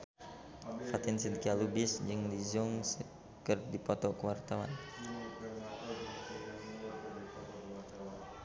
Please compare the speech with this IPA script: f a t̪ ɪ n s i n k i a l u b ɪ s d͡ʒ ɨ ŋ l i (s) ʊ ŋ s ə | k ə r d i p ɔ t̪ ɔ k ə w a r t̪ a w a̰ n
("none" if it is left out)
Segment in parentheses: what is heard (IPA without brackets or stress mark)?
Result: z